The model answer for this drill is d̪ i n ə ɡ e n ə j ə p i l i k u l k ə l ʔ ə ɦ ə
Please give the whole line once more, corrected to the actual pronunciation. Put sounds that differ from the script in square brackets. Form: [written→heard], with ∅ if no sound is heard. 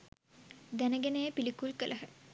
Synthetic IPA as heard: d̪ [i→æ] n ə ɡ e n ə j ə p i l i k u l k ə l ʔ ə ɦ ə

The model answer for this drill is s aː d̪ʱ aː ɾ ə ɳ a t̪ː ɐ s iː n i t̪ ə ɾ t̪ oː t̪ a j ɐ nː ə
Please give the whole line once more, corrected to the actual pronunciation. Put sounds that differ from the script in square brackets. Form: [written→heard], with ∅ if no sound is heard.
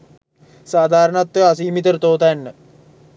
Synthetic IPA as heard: s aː d̪ʱ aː ɾ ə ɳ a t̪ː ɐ s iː [n→m] i t̪ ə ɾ t̪ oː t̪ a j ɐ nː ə

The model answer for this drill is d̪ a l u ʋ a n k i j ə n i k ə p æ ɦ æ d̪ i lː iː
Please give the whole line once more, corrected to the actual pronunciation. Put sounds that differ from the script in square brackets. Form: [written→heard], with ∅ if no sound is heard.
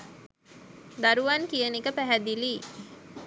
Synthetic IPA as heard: d̪ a [l→ɾ] u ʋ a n k i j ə n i k ə p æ ɦ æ d̪ i [lː→l] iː

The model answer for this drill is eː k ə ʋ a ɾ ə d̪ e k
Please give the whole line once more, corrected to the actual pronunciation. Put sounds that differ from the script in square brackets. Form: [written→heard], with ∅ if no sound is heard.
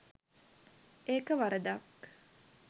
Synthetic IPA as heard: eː k ə ʋ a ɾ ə d̪ [e→a] k

